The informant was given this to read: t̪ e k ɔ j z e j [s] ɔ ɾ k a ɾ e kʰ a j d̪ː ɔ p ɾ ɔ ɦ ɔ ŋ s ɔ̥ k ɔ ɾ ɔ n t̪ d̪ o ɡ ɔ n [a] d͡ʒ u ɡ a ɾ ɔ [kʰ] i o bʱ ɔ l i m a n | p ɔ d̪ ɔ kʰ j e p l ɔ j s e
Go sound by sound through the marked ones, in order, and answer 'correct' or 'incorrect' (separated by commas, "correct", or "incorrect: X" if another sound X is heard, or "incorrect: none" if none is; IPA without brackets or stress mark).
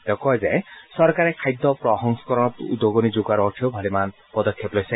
correct, incorrect: i, incorrect: ʈʰ